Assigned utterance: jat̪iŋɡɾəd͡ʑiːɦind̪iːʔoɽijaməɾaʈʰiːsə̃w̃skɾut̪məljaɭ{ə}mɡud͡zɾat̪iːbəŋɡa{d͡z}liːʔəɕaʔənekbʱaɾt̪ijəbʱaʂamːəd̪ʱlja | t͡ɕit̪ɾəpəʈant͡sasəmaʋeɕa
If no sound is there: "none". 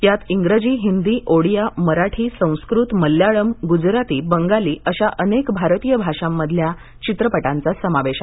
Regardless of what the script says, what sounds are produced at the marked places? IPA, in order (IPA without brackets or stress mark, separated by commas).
ə, none